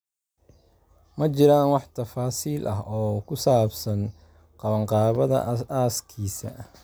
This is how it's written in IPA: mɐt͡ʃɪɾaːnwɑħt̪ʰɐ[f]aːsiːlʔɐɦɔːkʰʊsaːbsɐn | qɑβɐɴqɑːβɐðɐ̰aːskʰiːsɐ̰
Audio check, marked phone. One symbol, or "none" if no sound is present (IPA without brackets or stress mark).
f